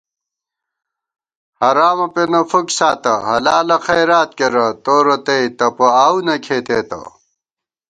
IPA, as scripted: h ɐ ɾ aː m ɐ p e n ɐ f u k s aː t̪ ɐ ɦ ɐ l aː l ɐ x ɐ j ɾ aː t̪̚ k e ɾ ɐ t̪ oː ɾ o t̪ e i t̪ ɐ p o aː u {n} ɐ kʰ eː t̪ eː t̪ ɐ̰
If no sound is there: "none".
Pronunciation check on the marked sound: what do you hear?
n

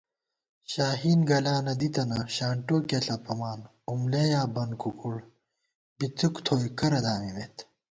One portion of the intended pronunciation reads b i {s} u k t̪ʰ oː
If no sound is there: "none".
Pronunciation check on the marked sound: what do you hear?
t͡s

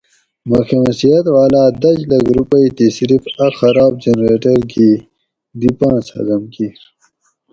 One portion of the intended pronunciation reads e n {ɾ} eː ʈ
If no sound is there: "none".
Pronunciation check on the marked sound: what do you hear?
ɾ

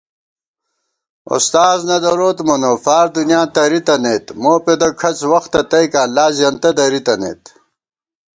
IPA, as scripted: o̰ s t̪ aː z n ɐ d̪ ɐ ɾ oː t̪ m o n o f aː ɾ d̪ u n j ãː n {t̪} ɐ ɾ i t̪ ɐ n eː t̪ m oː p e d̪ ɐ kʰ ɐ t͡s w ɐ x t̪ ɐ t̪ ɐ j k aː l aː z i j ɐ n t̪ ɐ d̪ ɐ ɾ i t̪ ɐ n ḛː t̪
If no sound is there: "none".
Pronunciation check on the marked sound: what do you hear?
t̪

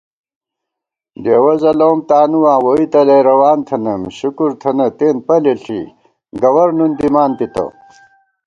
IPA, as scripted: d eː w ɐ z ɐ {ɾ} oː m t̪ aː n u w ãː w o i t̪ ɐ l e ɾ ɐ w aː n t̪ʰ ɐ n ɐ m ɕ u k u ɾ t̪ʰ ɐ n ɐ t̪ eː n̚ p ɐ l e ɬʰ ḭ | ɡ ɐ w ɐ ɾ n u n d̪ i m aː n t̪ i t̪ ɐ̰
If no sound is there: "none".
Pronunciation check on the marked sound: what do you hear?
l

